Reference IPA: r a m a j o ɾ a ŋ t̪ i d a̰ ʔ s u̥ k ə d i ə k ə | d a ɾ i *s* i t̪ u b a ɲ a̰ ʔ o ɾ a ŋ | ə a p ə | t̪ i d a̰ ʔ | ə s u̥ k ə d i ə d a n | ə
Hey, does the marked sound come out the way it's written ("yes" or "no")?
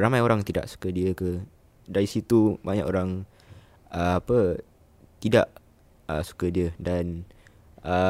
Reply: yes